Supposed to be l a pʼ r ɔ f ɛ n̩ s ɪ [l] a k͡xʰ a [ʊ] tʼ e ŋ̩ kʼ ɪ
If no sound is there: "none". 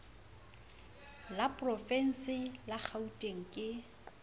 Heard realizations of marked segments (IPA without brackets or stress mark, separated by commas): l, u